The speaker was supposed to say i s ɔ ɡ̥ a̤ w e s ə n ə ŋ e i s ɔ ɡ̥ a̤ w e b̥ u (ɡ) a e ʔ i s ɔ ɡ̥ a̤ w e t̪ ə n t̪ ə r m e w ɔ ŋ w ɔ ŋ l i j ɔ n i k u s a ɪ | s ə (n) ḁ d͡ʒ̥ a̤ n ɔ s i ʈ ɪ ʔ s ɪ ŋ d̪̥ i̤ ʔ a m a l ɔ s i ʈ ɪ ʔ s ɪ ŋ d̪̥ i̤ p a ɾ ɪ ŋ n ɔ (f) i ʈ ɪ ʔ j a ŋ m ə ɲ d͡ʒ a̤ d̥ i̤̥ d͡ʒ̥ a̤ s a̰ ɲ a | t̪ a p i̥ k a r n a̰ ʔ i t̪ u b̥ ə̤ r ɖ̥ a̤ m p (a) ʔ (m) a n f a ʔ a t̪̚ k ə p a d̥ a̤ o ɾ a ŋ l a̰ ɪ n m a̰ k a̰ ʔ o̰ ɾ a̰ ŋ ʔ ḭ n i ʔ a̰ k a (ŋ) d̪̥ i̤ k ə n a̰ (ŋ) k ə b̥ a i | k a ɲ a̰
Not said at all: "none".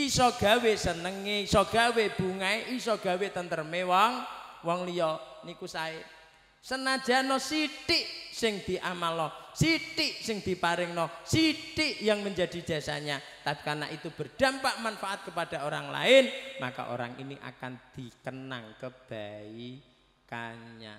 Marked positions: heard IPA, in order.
ŋ, n, s, a, m, n, ŋ

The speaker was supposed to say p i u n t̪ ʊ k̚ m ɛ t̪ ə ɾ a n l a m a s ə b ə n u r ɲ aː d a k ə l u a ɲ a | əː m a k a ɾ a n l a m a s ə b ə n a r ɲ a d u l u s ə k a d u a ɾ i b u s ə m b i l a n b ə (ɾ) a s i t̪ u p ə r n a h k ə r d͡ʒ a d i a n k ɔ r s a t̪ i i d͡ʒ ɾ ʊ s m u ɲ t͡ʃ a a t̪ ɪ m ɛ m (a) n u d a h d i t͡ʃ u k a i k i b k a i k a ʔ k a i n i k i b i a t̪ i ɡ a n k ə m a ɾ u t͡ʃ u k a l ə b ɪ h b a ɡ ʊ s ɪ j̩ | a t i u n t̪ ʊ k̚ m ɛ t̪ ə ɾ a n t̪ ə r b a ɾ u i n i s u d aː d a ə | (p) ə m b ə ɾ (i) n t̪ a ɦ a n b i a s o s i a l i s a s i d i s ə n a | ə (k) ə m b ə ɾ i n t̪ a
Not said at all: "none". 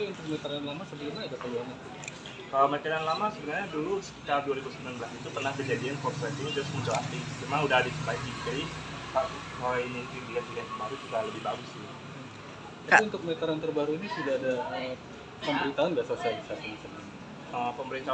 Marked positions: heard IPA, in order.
l, a, p, i, p

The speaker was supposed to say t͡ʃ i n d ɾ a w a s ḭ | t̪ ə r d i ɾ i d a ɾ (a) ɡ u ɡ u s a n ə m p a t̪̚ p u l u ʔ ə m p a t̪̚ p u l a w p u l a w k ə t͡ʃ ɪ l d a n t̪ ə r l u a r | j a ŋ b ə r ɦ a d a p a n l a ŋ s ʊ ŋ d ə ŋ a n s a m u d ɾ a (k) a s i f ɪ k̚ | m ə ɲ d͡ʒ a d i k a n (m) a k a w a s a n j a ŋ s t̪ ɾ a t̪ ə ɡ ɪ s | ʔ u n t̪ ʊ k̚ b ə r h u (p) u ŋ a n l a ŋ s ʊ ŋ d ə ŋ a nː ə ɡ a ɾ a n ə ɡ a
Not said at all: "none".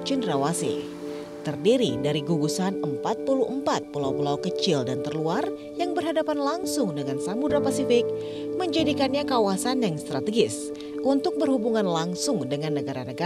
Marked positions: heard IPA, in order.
i, p, ɲ, b

